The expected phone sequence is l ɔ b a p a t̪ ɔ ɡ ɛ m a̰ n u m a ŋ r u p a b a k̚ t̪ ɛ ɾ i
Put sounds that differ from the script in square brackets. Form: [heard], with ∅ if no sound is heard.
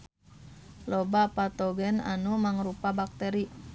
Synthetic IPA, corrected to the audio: l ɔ b a p a t̪ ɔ ɡ ɛ [n] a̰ n u m a ŋ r u p a b a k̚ t̪ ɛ ɾ i